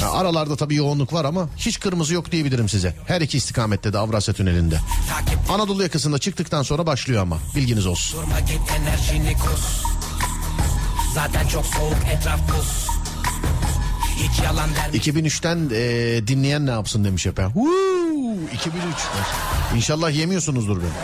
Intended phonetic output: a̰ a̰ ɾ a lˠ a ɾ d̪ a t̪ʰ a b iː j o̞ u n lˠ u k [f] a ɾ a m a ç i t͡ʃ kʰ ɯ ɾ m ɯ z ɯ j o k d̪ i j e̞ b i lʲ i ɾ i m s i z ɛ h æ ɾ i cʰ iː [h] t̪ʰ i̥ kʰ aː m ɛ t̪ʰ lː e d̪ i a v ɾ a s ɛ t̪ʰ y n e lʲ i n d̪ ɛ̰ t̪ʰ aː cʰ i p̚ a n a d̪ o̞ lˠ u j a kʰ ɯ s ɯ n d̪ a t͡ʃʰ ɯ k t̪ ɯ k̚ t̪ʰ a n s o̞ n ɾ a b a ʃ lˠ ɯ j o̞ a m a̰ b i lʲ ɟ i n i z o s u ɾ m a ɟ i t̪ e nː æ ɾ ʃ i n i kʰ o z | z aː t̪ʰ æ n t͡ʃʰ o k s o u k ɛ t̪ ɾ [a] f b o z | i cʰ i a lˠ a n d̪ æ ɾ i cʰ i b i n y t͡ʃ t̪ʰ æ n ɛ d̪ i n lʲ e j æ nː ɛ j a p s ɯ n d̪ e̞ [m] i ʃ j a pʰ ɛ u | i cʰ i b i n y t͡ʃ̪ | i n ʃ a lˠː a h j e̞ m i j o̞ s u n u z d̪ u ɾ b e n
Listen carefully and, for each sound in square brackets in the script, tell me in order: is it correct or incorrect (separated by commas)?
incorrect, incorrect, correct, correct